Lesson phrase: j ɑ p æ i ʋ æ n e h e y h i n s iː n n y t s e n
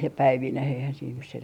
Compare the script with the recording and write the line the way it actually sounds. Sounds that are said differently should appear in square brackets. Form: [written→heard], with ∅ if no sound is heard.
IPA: j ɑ p æ i ʋ [æ→i] n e h e [y→i] h [i→æ] n s iː n n y [t→s] s e n